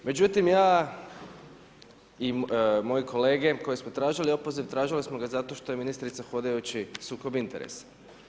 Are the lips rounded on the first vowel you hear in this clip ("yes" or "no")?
no